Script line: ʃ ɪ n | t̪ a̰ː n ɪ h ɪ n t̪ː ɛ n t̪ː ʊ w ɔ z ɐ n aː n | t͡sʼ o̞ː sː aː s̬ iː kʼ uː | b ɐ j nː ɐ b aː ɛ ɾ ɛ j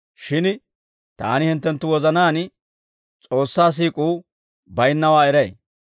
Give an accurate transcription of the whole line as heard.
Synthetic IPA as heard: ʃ ɪ n | t̪ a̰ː n ɪ h ɪ n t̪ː ɛ n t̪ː ʊ w ɔ z ɐ n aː n | t͡sʼ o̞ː sː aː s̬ iː kʼ uː | b ɐ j nː ɐ w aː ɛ ɾ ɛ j